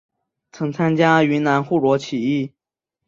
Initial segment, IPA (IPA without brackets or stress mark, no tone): t͡sʰ